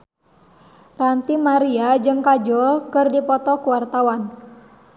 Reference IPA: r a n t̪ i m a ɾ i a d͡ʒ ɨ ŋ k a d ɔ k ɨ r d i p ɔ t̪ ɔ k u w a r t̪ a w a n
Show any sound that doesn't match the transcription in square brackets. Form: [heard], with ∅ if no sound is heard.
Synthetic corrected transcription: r a n t̪ i m a ɾ i a d͡ʒ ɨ ŋ k a [d͡ʒ] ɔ k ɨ r d i p ɔ t̪ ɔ k u w a r t̪ a w a n